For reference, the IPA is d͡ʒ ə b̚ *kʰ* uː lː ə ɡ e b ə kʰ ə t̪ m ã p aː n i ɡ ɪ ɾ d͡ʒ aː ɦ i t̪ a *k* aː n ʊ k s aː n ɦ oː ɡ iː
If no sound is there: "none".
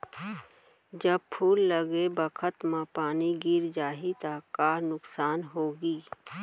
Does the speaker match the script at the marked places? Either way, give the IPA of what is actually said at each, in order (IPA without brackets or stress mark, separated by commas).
pʰ, k